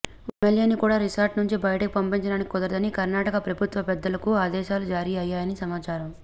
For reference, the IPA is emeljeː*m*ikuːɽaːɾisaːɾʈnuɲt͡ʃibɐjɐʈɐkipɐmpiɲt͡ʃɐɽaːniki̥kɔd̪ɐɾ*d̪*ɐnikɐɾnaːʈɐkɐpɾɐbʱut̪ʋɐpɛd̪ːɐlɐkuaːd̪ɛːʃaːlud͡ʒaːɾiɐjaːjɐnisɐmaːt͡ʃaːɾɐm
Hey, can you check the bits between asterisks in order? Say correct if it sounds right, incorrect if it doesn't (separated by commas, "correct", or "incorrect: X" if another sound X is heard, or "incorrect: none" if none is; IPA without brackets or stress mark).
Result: incorrect: n, correct